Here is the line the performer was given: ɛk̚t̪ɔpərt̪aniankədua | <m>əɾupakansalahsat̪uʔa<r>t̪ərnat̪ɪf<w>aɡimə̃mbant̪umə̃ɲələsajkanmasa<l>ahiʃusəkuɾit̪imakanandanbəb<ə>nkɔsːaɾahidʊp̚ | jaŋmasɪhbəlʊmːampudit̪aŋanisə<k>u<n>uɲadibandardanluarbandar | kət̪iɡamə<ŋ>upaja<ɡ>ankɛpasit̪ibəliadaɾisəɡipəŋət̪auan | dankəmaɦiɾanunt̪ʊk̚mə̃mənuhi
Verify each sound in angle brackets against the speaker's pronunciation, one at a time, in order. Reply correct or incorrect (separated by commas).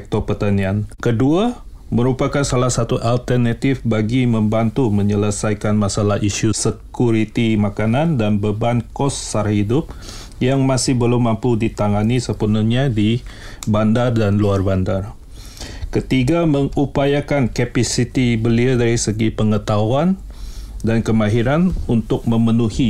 correct, incorrect, incorrect, correct, incorrect, incorrect, correct, correct, incorrect